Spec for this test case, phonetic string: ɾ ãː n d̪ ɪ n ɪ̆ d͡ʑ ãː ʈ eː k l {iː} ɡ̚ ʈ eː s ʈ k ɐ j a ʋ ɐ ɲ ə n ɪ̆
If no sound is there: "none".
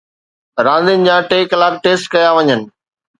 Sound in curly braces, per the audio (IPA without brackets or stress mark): aː